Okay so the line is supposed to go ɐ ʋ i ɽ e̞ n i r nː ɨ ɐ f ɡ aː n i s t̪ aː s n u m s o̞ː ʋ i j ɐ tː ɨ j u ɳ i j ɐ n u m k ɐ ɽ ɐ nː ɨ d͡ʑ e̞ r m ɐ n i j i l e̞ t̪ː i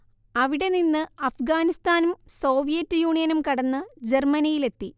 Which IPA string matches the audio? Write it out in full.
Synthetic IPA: ɐ ʋ i ɽ e̞ n i nː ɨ ɐ f ɡ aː n i s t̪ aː n u m s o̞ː ʋ i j ɐ tː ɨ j uː ɳ i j ɐ n u m k ɐ ɽ ɐ nː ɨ d͡ʑ e̞ r m ɐ n i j i l e̞ t̪ː i